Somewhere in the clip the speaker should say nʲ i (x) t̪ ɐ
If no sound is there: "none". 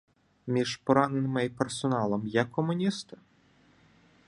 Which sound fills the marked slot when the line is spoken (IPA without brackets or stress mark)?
s